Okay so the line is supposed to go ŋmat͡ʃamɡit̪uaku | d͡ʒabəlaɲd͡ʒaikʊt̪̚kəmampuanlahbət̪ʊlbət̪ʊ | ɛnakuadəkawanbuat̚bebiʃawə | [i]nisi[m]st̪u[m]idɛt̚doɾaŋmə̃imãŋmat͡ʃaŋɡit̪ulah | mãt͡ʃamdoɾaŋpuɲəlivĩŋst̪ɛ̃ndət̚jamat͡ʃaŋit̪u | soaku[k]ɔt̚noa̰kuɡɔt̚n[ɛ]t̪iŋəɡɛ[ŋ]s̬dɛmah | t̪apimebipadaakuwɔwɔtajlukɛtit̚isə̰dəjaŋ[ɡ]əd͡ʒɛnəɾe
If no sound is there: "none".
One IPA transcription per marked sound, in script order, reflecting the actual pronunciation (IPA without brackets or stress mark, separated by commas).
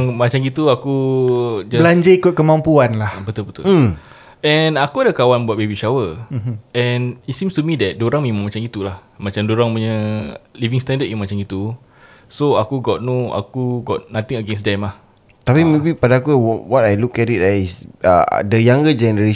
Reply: ɛ, m, m, ɡ, a, n, ɡ